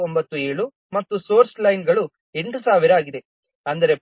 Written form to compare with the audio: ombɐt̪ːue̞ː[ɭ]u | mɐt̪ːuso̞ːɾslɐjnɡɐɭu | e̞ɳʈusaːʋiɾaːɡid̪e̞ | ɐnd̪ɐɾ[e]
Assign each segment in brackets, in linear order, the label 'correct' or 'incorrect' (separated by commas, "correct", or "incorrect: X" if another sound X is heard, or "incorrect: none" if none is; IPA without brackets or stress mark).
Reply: correct, correct